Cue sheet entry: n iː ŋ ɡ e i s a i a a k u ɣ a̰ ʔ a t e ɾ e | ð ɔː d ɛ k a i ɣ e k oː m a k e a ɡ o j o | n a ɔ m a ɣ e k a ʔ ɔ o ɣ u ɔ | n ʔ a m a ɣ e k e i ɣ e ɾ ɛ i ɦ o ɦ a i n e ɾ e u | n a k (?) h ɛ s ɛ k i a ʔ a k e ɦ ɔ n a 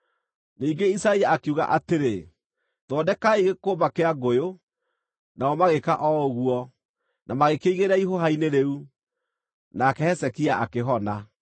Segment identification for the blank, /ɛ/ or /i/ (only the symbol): ɛ